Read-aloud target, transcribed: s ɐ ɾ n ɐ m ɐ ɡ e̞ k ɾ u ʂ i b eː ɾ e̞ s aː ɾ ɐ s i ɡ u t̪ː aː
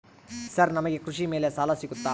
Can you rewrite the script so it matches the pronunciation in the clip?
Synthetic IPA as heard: s ɐ ɾ n ɐ m ɐ ɡ e̞ k ɾ u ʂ i m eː l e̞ s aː l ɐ s i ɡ u t̪ː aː